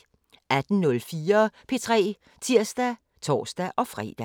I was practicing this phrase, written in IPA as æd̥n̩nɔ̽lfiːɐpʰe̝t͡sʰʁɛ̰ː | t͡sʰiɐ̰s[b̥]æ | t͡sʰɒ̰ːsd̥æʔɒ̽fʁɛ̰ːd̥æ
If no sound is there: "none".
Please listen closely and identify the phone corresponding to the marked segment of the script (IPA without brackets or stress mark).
d̥